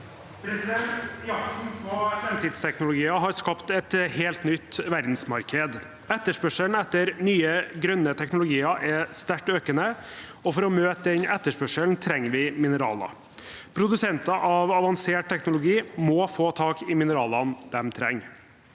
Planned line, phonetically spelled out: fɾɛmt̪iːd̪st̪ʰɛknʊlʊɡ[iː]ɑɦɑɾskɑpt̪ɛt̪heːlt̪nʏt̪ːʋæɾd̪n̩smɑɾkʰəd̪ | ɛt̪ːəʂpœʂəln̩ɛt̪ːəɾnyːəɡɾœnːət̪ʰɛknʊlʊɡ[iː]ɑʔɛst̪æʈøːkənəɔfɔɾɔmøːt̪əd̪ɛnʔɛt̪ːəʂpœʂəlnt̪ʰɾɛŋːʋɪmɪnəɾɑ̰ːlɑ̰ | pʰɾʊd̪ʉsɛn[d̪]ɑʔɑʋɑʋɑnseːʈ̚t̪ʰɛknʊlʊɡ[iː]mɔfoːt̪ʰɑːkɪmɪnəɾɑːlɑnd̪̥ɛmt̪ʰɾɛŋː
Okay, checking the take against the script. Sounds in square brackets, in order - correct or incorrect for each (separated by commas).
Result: correct, correct, incorrect, correct